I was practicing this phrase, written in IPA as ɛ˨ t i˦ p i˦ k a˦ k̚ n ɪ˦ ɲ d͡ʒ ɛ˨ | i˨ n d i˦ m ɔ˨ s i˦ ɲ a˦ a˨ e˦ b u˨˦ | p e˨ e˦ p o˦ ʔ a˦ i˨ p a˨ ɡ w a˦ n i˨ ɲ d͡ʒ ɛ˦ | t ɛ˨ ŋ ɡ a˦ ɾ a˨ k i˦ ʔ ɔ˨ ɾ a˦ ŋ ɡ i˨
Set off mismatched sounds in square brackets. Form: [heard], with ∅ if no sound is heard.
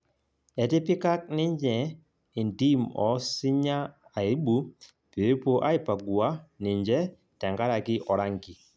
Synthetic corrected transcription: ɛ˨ t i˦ p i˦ k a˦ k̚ n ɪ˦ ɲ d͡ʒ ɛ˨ | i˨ n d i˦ m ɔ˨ s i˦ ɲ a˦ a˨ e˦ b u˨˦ | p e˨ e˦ p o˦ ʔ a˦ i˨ p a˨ ɡ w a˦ n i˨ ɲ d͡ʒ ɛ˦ | t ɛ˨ ŋ ɡ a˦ ɾ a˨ k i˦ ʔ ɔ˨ ɾ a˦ ŋ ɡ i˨